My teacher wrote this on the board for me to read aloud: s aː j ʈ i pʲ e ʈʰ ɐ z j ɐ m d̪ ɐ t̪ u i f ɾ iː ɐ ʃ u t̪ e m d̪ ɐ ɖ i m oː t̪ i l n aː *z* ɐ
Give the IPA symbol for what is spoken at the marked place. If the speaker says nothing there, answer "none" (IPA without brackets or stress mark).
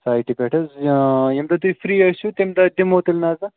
z